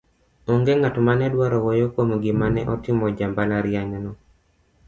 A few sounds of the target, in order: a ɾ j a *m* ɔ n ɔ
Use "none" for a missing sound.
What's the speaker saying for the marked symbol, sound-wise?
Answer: ɲ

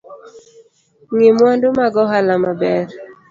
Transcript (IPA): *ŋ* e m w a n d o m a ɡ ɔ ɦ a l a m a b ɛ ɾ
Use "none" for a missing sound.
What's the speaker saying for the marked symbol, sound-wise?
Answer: ŋ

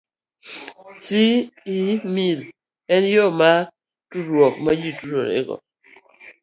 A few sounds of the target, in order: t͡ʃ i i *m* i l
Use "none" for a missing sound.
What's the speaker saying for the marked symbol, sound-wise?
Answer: m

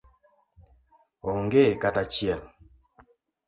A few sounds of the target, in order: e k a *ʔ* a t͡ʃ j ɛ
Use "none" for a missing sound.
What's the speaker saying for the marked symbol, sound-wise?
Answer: t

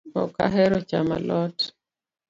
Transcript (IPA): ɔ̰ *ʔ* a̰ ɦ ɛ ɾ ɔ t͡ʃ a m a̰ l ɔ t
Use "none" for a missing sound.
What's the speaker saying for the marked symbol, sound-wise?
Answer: k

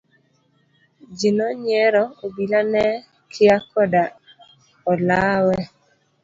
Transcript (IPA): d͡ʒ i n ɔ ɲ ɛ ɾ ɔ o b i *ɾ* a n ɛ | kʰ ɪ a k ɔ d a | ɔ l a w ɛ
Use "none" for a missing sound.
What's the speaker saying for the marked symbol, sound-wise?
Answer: l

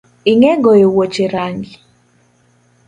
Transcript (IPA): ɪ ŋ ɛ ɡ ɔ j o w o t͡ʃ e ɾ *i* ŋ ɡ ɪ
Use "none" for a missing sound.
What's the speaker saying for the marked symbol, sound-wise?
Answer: a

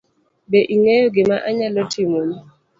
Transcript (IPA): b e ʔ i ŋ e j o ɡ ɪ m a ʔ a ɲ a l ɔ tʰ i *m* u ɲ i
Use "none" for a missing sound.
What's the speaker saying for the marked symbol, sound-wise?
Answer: m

